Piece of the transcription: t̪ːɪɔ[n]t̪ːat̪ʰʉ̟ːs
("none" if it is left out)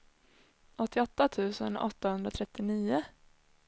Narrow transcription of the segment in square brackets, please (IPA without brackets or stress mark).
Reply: none